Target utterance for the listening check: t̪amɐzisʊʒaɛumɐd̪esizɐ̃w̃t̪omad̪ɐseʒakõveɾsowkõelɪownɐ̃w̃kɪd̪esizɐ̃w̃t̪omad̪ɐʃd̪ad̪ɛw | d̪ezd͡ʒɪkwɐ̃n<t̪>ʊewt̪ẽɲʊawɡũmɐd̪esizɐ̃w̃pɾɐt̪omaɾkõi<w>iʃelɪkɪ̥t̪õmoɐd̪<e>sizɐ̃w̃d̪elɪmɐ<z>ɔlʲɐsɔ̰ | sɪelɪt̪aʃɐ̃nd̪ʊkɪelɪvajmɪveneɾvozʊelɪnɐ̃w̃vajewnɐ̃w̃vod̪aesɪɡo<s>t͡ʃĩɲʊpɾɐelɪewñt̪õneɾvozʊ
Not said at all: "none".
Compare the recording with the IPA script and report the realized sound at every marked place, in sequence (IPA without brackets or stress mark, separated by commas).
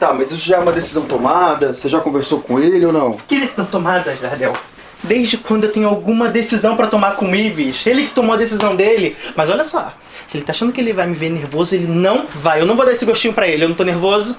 d̪, v, e, z, ʃ